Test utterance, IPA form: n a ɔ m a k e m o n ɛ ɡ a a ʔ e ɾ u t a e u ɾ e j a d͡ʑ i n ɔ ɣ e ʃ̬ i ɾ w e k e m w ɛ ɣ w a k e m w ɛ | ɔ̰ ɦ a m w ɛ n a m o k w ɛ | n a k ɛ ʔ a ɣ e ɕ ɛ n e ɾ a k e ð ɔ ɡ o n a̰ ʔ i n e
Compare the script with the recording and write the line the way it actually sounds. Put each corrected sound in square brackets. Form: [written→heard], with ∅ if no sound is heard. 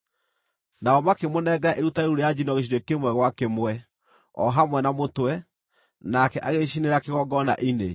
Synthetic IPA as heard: n a ɔ m a k e m o n ɛ ɡ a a ʔ e ɾ u t a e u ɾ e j a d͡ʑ i n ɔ ɣ e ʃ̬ i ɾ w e k e m w ɛ ɣ w a k e m w ɛ | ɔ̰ ɦ a m w ɛ n a m o [k→t] w ɛ | n a k ɛ ʔ a ɣ e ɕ [ɛ→i] n e ɾ a k e [ð→ɣ] ɔ ɡ [o→ɔ] n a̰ ʔ i n e